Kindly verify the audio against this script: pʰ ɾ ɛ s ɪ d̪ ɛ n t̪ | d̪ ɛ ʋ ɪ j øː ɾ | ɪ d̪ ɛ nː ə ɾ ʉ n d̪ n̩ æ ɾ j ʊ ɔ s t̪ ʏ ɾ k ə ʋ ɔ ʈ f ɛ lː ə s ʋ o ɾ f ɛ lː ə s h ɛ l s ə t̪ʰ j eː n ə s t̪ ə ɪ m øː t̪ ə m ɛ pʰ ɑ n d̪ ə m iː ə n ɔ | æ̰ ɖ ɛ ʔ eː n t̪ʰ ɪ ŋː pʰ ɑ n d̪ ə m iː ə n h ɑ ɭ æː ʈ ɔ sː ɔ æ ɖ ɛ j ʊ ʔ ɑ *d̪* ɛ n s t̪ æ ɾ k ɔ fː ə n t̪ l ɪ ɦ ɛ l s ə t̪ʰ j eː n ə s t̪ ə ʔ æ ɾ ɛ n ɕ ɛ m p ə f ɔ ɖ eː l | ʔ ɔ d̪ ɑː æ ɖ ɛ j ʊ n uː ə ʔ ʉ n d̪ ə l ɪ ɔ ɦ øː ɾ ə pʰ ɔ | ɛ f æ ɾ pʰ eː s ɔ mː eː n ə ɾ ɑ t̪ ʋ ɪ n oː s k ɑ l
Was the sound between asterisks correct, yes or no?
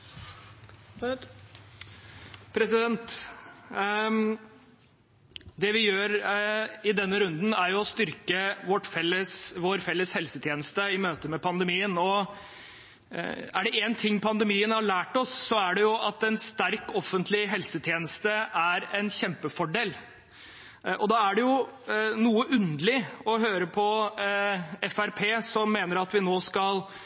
no